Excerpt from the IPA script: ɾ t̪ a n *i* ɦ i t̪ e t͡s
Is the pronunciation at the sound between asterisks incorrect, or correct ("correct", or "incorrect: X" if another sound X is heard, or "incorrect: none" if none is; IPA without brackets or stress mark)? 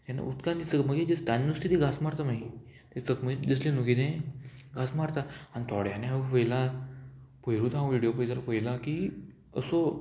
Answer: incorrect: a